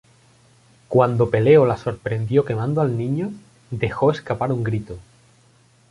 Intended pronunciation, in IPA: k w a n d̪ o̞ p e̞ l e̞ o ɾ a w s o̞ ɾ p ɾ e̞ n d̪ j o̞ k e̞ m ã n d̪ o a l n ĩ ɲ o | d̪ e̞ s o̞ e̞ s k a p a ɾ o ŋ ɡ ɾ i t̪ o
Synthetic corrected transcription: k w a n d̪ o̞ p e̞ l e̞ o l a s o̞ ɾ p ɾ e̞ n d̪ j o̞ k e̞ m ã n d̪ o a l n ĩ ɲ o | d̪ e̞ x o̞ e̞ s k a p a ɾ u ŋ ɡ ɾ i t̪ o